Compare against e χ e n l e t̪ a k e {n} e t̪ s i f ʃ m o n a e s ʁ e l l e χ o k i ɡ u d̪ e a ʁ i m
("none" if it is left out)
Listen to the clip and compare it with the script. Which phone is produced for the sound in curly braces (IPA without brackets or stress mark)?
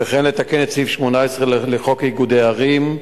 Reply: n